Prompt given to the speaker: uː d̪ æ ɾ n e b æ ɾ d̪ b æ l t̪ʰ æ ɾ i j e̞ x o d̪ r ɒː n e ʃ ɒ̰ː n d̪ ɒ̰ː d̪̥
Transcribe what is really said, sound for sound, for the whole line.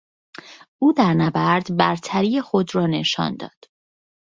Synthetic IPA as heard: uː d̪ æ ɾ n æ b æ ɾ d̪ b æ ɾ t̪ʰ æ ɾ i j e̞ x o d̪ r ɒː n e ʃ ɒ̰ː n d̪ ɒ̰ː d̪̥